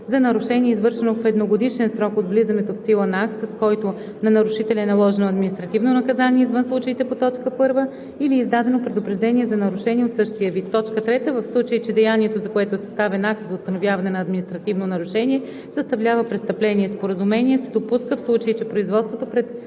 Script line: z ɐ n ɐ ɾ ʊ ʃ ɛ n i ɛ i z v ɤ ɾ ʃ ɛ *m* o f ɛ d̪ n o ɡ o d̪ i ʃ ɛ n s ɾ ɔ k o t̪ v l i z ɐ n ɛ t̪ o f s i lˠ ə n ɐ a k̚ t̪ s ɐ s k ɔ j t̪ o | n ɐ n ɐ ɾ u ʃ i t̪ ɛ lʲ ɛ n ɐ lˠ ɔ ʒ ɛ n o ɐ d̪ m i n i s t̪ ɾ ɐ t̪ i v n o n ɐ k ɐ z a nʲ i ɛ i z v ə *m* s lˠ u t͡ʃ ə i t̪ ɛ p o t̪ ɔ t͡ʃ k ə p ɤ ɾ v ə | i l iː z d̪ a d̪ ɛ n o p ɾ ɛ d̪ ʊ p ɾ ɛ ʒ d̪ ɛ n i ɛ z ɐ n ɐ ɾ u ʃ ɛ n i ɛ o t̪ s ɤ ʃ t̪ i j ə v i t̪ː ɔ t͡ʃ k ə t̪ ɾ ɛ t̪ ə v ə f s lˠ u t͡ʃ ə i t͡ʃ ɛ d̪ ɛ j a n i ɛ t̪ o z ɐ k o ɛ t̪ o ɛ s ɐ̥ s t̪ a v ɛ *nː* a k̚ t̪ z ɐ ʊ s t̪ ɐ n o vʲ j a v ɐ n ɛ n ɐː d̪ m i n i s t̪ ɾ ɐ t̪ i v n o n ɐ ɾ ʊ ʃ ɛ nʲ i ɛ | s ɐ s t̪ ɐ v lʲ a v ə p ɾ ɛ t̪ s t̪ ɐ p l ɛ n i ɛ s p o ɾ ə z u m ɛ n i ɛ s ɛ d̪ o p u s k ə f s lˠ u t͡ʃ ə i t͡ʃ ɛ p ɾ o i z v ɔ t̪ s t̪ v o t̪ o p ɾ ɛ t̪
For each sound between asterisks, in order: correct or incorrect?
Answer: incorrect: n, incorrect: n, incorrect: n

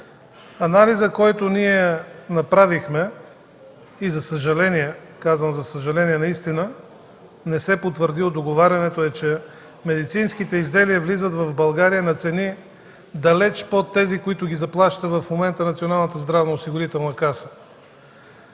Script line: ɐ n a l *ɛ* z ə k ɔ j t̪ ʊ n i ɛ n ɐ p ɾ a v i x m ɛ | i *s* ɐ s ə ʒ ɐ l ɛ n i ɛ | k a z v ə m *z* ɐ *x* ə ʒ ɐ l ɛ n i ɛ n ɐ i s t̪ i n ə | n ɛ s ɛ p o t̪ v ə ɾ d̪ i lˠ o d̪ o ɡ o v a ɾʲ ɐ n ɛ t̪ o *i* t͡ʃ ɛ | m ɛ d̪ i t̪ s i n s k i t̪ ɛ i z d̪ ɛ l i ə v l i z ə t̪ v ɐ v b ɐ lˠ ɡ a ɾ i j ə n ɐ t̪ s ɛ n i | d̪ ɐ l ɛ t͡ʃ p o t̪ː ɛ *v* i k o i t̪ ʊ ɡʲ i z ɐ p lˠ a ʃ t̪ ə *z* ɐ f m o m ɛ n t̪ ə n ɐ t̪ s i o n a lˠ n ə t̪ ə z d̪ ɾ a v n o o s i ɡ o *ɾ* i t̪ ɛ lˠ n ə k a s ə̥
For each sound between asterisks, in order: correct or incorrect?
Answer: incorrect: i, incorrect: z, correct, incorrect: s, incorrect: ɛ, incorrect: z, incorrect: v, correct

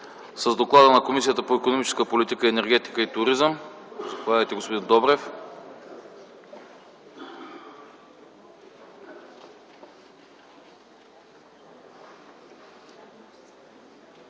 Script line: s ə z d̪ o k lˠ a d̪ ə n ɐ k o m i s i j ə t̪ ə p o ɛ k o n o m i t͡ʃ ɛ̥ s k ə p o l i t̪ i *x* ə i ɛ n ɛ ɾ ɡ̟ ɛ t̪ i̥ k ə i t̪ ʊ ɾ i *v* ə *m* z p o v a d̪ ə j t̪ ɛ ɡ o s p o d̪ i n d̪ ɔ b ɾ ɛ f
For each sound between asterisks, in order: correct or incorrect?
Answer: incorrect: k, incorrect: z, correct

